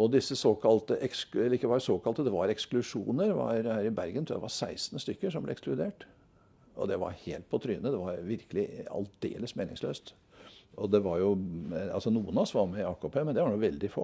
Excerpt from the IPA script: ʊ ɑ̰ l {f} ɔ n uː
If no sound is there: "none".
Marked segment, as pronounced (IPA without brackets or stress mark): s